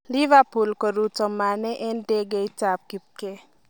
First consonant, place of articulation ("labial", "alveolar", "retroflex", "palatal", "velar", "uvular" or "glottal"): alveolar